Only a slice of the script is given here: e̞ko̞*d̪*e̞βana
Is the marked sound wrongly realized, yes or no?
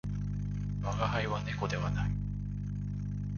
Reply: no